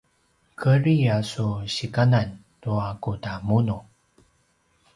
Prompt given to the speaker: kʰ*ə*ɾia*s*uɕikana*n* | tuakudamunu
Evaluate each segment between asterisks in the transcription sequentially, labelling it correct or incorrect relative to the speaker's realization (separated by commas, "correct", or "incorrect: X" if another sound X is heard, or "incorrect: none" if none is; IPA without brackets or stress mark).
correct, correct, correct